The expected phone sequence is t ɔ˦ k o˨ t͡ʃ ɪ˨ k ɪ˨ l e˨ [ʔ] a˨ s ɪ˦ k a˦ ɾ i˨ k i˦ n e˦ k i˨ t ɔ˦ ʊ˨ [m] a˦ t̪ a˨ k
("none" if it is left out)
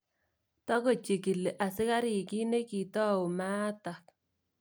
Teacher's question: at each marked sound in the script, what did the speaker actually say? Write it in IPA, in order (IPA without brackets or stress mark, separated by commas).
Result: ʔ, m